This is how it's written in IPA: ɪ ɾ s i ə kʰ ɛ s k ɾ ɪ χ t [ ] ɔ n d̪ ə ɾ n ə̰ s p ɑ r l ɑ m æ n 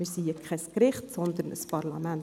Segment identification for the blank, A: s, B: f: A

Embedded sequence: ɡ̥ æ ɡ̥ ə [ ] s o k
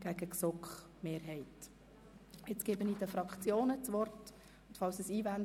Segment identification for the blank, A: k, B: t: A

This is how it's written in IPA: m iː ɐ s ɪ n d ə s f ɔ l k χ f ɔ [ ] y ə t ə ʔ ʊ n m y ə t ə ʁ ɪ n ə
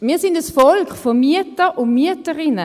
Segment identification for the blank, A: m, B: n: A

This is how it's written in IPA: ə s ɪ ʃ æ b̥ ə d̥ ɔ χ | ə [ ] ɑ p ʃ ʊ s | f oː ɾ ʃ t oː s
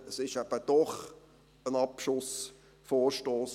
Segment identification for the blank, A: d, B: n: B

